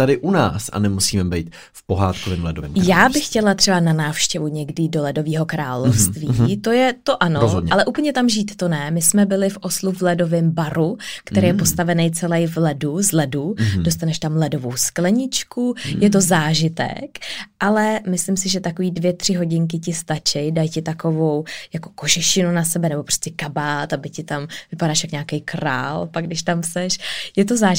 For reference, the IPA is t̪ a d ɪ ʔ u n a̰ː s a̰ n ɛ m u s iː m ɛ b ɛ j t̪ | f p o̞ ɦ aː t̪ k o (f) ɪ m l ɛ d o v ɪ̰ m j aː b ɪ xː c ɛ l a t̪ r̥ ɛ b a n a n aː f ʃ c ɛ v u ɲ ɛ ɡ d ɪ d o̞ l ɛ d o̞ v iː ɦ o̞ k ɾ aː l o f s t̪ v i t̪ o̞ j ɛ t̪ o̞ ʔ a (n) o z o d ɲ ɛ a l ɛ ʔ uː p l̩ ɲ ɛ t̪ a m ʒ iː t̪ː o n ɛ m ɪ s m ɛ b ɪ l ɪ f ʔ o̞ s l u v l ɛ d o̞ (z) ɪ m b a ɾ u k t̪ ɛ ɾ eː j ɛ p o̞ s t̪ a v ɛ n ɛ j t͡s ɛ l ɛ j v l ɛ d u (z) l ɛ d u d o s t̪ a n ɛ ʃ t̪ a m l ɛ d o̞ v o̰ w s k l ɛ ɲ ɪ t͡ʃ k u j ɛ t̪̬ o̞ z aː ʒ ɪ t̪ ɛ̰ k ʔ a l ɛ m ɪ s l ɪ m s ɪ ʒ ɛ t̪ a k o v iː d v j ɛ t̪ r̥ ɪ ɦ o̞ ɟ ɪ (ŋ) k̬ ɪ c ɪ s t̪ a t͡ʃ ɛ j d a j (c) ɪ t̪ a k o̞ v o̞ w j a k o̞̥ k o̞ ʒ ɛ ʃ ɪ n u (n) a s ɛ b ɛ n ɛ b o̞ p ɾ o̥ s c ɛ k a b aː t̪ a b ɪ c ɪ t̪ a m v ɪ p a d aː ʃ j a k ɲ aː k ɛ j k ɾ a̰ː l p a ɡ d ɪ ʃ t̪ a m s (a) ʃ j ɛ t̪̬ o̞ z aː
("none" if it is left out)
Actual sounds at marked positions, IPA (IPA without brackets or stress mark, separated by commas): v, n, v, z, ŋ, c, n, ɛ